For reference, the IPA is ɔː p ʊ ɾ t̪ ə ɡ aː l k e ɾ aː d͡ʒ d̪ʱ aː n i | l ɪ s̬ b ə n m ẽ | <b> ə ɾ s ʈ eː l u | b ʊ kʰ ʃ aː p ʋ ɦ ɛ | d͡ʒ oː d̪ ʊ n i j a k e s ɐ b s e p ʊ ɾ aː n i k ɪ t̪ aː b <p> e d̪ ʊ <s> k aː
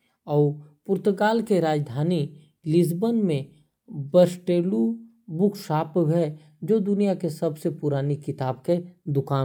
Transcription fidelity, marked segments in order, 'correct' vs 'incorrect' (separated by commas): correct, incorrect, incorrect